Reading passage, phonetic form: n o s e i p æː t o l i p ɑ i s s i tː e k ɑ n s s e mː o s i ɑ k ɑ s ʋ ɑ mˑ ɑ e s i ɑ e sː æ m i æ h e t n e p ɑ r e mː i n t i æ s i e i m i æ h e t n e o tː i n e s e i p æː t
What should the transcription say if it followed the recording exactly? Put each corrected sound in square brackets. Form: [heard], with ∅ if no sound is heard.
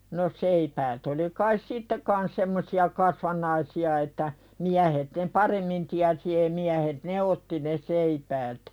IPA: n o s e i p æː t o l i [k] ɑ i s s i tː e k ɑ n s s e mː o s i ɑ k ɑ s ʋ ɑ [nˑ] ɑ [i] s i ɑ e [tː] æ m i æ h e t n e p ɑ r e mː i n t i æ s i e i m i æ h e t n e o tː i n e s e i p æː t